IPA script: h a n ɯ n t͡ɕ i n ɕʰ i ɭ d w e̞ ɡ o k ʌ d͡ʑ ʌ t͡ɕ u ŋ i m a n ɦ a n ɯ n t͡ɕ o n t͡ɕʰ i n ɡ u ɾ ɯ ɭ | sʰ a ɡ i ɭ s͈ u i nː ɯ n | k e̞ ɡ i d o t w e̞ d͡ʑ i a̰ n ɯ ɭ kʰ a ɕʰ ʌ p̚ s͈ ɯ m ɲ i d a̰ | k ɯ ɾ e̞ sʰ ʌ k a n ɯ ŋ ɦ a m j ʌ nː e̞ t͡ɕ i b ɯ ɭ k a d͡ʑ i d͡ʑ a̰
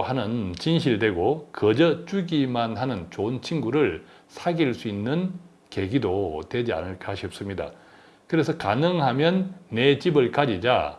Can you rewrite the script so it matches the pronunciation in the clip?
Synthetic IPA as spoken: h a n ɯ n t͡ɕ i n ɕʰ i ɭ d w e̞ ɡ o k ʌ d͡ʑ ʌ t͡ɕ u ɡ i m a n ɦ a n ɯ n t͡ɕ o n t͡ɕʰ i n ɡ u ɾ ɯ ɭ | sʰ a ɡ i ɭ s͈ u i nː ɯ n | k e̞ ɡ i d o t w e̞ d͡ʑ i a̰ n ɯ ɭ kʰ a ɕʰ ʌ p̚ s͈ ɯ m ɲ i d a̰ | k ɯ ɾ e̞ sʰ ʌ k a n ɯ ŋ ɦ a m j ʌ nː e̞ t͡ɕ i b ɯ ɭ k a d͡ʑ i d͡ʑ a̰

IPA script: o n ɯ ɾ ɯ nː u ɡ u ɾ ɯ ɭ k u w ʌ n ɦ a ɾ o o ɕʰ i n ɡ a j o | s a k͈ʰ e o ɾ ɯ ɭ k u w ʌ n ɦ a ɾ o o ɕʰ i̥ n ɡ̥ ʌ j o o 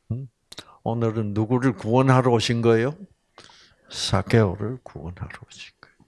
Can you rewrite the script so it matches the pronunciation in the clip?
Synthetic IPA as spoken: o n ɯ ɾ ɯ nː u ɡ u ɾ ɯ ɭ k u w ʌ n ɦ a ɾ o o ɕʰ i n ɡ ʌ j o | s a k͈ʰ e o ɾ ɯ ɭ k u w ʌ n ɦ a ɾ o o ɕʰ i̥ n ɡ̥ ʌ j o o

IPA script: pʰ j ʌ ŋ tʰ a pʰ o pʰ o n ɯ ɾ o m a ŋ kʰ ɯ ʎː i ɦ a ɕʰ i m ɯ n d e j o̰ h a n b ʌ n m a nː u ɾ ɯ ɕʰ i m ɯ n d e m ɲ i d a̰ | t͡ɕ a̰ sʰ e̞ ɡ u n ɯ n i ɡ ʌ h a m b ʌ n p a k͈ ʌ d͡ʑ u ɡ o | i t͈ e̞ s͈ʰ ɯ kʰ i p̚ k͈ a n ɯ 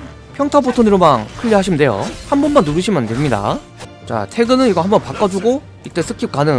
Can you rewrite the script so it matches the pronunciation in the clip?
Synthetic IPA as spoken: pʰ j ʌ ŋ tʰ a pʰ o tʰ o n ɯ ɾ o m a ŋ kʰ ɯ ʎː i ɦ a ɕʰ i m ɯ n d e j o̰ h a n b ʌ n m a nː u ɾ ɯ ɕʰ i m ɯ n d e m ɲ i d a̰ | t͡ɕ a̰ tʰ e̞ ɡ ɯ n ɯ n i ɡ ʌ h a m b ʌ n p a k͈ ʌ d͡ʑ u ɡ o | i t͈ e̞ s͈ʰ ɯ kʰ i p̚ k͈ a n ɯ

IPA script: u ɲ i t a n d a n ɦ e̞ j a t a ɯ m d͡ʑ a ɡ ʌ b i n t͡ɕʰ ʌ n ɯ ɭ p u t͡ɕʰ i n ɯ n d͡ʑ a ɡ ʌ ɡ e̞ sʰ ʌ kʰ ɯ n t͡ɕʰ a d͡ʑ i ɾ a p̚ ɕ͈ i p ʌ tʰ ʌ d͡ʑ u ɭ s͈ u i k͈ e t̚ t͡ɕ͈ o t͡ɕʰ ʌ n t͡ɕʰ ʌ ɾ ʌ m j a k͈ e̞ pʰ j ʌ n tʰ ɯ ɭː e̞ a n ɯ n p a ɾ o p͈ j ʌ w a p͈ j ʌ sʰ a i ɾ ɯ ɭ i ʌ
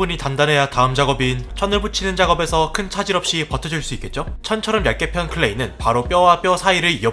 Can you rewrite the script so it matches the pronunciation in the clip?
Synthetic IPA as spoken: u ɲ i t a n d a n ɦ e̞ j a t a ɯ m d͡ʑ a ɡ ʌ b i n t͡ɕʰ ʌ n ɯ ɭ p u t͡ɕʰ i n ɯ n d͡ʑ a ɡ ʌ b e̞ sʰ ʌ kʰ ɯ n t͡ɕʰ a d͡ʑ i ɾ ʌ p̚ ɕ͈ i p ʌ tʰ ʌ d͡ʑ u ɭ s͈ u i k͈ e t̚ t͡ɕ͈ o t͡ɕʰ ʌ n t͡ɕʰ ʌ ɾ ʌ m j a k͈ e̞ pʰ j ʌ n kʰ ɯ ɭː e̞ i n ɯ n p a ɾ o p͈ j ʌ w a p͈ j ʌ sʰ a i ɾ ɯ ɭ i ʌ

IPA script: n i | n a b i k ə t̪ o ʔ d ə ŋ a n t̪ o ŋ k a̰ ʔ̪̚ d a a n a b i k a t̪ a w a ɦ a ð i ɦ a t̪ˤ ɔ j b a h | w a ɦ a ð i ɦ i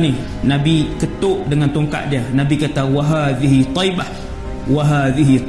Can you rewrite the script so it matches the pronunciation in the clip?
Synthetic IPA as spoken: n i | n a b i k ə t̪ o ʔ d ə ŋ a n t̪ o ŋ k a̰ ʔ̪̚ d i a n a b i k a t̪ a w a ɦ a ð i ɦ i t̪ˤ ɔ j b a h | w a ɦ a ð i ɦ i

